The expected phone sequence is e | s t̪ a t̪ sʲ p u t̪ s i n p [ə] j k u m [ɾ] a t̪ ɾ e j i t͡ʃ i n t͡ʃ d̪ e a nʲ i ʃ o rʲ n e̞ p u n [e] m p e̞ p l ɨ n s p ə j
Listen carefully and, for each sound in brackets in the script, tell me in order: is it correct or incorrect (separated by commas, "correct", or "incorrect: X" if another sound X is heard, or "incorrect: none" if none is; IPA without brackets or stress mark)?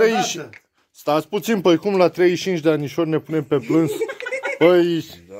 correct, incorrect: l, correct